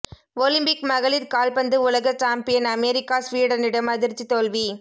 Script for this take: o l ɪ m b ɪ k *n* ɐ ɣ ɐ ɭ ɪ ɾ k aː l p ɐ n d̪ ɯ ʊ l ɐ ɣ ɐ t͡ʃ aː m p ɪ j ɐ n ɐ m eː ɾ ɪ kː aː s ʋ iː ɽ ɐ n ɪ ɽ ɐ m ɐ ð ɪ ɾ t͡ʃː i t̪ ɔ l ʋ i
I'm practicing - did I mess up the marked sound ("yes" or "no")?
yes